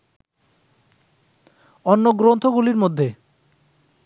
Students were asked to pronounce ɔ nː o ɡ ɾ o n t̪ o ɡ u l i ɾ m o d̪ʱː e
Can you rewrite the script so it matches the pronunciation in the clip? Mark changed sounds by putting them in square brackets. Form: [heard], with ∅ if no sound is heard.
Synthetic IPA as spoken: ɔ nː o ɡ ɾ o n [t̪ʰ] o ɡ u l i ɾ m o d̪ʱː e